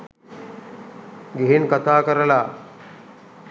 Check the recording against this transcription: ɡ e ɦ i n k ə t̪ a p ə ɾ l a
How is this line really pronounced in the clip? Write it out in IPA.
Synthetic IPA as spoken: ɡ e ɦ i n k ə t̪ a k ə ɾ l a

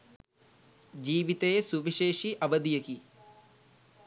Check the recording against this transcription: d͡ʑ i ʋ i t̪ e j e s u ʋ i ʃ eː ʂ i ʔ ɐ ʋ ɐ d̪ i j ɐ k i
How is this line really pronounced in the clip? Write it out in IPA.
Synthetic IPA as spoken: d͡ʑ iː ʋ i t̪ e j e s u ʋ i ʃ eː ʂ i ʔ ɐ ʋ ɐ d̪ i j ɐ k i

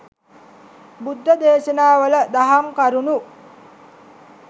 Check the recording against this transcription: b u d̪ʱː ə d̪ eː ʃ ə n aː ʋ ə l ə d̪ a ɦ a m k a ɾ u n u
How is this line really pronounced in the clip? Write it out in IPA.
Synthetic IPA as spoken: b u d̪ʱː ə d̪ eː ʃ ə n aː ʋ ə l ə d̪ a ɦ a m k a ɾ u n u

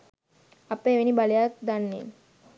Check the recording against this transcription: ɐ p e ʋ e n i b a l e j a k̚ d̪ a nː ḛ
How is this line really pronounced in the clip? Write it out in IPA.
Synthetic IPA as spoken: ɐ p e ʋ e n i b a l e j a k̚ d̪ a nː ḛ

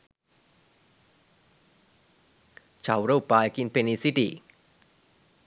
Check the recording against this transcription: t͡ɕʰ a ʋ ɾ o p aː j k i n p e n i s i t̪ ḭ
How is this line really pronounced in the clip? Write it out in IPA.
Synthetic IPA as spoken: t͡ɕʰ a w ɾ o p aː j k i n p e n i s i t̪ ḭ

